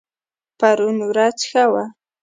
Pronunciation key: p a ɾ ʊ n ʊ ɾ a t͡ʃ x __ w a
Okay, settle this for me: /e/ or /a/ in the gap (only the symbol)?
a